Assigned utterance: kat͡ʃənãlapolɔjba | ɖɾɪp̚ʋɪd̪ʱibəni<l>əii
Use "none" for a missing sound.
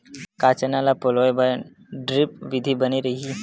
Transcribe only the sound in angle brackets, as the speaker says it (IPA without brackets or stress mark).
ɾ